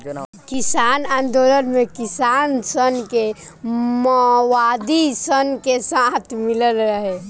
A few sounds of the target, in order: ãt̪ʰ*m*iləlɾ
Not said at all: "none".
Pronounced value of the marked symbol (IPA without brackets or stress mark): m